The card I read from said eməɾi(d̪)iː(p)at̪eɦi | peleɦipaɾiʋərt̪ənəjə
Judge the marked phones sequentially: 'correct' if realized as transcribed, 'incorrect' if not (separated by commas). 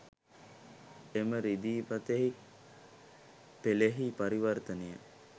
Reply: correct, correct